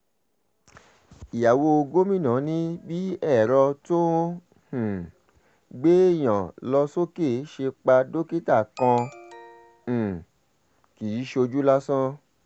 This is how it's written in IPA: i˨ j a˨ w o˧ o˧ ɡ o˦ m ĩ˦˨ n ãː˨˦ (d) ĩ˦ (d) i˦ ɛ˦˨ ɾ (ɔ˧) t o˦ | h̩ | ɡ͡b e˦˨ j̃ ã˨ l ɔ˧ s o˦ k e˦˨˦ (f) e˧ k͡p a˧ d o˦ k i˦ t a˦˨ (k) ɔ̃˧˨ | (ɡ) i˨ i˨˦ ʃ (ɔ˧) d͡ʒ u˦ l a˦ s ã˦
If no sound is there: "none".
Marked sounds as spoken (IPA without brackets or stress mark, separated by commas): n, b, ɔ˧, ʃ, k, k, o˧